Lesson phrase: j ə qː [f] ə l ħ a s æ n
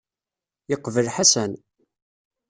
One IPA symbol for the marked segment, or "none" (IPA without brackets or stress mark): v